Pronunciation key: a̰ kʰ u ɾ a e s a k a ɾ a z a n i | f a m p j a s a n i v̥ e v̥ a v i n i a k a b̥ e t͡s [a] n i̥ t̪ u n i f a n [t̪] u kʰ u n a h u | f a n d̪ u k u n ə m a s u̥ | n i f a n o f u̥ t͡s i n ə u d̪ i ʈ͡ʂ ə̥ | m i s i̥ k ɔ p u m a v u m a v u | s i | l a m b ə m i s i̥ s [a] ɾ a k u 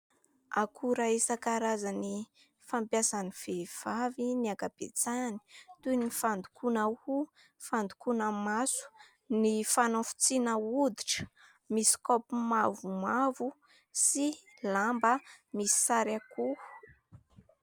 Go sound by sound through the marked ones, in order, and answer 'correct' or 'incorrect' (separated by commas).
correct, incorrect, correct